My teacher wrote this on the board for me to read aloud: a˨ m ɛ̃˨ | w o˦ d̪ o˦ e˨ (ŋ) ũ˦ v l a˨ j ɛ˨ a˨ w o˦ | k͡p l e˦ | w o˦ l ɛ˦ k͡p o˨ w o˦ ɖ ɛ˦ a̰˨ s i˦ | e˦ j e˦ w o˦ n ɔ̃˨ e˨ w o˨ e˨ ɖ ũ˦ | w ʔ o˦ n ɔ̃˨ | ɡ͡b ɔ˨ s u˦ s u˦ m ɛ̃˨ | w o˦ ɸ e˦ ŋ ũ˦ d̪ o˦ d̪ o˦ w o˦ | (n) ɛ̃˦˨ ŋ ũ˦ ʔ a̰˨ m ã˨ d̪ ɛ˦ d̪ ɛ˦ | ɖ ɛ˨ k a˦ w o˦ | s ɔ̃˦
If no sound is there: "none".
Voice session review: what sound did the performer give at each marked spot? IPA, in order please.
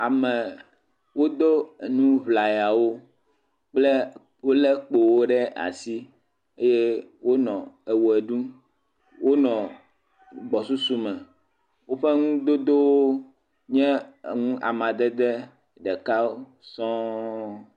n, ɲ

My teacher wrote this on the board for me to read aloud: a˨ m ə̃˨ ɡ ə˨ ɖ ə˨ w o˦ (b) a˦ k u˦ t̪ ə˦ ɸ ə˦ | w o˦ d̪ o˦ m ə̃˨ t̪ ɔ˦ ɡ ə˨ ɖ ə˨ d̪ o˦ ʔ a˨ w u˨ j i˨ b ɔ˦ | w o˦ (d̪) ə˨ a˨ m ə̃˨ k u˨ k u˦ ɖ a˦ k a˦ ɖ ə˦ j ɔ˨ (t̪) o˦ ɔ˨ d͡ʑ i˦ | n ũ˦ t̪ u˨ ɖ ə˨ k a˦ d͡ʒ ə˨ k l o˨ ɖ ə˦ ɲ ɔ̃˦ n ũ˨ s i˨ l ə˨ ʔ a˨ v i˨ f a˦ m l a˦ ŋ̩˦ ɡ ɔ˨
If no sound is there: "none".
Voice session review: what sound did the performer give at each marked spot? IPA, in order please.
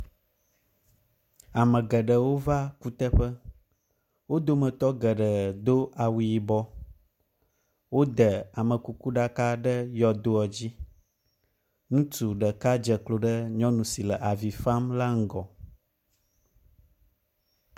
v, d̪, d̪

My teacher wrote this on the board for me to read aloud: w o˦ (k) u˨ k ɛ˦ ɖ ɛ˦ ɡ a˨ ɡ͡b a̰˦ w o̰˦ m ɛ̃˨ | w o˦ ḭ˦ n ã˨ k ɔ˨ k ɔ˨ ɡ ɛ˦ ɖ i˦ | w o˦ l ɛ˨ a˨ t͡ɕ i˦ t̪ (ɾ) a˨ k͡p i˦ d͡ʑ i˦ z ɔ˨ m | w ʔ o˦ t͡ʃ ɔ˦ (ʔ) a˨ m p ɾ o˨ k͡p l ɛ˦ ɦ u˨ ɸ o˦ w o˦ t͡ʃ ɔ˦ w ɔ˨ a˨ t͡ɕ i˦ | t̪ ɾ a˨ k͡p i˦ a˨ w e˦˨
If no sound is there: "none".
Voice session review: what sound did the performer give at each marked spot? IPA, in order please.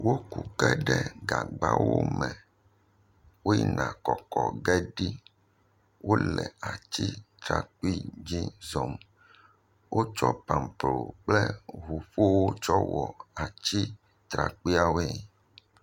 k, ɾ, p

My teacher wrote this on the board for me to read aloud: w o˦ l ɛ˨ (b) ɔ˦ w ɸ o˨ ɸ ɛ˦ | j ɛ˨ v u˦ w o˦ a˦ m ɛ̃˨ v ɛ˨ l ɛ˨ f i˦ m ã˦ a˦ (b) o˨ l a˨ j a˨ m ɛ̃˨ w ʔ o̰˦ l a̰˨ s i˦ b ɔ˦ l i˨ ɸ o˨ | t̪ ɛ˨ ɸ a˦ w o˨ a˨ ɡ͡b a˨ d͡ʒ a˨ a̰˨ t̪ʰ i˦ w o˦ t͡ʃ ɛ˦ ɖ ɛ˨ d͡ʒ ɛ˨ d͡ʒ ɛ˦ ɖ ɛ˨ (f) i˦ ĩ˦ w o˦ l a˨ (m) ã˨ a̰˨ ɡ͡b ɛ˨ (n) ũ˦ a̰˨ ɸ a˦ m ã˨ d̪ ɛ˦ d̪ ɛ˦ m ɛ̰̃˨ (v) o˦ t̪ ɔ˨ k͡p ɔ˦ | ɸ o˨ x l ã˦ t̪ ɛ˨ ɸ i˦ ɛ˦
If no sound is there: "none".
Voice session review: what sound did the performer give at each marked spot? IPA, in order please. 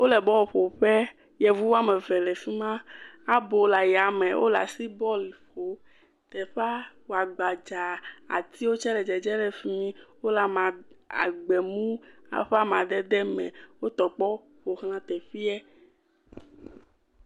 b, b, f, m, m, w

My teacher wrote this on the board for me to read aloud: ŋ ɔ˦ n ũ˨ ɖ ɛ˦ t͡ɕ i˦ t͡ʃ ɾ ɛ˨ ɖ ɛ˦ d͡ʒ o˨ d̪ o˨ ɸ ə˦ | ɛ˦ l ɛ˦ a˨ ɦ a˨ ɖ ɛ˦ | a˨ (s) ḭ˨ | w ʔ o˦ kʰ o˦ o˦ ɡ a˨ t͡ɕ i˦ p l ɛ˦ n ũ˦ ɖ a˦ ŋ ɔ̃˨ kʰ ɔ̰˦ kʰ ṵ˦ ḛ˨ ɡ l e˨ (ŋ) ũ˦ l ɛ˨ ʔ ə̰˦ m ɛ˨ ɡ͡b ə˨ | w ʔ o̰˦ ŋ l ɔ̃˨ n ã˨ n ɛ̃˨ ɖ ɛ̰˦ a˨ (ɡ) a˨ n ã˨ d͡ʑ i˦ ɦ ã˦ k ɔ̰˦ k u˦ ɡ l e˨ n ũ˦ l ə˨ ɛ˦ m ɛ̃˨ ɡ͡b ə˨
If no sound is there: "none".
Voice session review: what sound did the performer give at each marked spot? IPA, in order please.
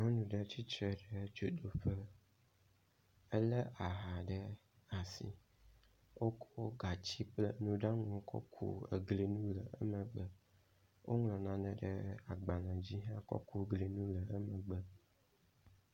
s, n, ɡ͡b

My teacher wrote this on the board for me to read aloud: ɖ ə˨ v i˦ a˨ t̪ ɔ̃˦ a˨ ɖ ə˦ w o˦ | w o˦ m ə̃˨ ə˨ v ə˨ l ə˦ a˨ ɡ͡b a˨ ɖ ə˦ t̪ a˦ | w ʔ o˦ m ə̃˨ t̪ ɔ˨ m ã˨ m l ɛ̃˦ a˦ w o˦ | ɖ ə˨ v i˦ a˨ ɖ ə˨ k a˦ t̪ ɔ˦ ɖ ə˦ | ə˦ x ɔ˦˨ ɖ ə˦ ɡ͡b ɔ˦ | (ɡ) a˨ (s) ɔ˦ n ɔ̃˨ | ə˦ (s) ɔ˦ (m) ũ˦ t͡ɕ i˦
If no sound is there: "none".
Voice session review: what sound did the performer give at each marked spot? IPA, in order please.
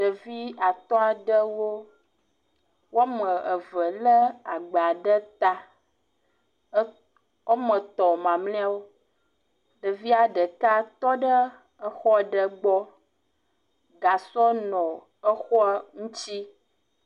ɡ, s, x, ŋ

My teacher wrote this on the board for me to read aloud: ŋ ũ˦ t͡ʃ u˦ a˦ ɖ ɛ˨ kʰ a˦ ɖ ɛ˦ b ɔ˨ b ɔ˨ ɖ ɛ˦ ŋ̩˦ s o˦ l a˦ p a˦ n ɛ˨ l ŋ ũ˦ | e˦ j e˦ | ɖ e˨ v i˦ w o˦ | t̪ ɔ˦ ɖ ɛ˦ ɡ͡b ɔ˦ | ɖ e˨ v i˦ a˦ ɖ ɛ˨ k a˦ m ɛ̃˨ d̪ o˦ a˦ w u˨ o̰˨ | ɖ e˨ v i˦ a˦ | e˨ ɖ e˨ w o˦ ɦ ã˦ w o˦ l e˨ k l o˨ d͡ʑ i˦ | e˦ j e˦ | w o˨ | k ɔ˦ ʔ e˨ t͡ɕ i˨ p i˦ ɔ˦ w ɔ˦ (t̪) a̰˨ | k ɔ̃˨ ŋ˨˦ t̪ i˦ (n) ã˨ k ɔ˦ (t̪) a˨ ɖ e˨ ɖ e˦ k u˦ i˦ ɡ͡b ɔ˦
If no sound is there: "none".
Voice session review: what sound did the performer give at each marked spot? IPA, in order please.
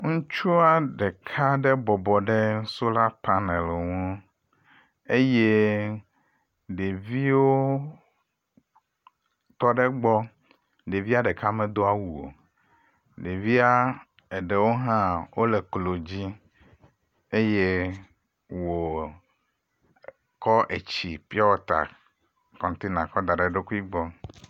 t̪, n, d̪

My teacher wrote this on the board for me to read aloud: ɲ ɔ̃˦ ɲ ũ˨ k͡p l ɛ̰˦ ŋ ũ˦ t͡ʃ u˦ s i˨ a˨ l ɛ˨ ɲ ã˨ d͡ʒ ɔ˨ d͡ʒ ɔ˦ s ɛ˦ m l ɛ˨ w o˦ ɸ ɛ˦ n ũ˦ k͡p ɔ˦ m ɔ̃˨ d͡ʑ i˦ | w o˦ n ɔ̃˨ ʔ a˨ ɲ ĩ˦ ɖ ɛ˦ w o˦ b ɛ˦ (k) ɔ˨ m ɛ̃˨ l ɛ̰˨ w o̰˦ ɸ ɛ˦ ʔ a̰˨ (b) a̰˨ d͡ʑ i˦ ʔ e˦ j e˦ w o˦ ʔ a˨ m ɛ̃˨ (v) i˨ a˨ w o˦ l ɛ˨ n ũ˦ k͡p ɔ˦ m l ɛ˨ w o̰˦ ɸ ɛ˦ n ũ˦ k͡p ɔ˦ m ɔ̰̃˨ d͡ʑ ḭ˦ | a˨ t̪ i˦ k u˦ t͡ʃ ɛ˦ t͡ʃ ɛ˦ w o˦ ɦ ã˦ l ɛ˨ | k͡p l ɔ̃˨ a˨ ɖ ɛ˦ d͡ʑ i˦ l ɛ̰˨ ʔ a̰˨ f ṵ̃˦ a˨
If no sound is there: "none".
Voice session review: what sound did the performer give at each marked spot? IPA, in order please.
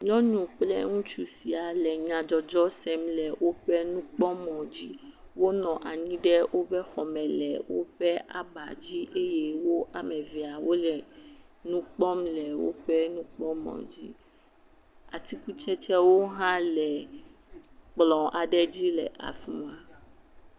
x, b, v

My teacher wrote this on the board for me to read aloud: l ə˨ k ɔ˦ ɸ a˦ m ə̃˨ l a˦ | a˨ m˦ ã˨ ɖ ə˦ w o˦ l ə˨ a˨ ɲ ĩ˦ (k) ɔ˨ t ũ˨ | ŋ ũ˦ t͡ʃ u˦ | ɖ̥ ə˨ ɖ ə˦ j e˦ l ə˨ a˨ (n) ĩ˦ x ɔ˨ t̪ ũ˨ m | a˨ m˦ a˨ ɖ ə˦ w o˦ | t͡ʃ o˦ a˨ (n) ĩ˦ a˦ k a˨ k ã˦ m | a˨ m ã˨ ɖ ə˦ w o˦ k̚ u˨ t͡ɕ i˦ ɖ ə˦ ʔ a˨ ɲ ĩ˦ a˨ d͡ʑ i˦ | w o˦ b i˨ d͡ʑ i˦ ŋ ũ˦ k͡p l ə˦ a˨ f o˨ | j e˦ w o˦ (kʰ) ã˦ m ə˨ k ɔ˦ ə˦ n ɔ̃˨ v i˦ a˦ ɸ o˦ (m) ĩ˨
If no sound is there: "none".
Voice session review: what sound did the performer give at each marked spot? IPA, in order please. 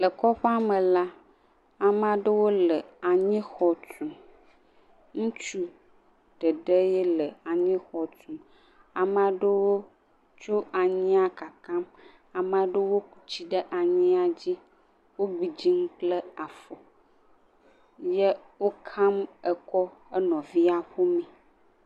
x, ɲ, ɲ, kʰ, m

